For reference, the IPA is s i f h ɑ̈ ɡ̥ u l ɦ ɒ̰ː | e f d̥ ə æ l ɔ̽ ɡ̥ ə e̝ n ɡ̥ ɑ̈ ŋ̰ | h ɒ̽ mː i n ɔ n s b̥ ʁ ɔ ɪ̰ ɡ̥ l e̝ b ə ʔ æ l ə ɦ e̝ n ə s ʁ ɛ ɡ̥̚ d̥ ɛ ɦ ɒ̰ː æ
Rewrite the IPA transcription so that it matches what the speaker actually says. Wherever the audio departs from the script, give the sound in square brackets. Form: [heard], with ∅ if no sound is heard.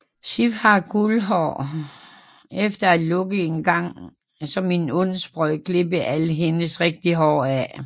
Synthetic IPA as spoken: s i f h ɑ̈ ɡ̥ u l ɦ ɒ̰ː | e f d̥ [ɐ] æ l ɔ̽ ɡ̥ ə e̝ n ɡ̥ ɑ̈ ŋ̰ | [s] ɒ̽ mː i n ɔ n s b̥ ʁ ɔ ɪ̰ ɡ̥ l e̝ b ə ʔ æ l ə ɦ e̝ n ə s ʁ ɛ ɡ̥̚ d̥ [i] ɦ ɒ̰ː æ